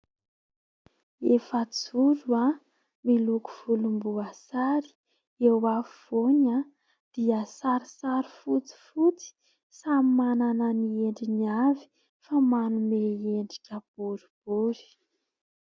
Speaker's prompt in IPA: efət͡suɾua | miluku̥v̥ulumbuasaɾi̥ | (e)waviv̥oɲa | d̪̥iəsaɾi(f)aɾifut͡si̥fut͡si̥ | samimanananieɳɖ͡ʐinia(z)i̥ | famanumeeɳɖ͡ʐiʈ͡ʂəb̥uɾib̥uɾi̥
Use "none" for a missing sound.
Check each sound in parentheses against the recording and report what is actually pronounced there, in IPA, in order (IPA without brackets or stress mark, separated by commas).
e, s, v